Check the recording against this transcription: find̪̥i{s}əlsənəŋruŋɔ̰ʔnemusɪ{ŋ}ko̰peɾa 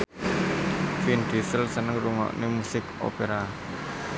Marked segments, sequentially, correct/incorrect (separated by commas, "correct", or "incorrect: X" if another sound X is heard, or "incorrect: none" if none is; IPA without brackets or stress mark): correct, incorrect: none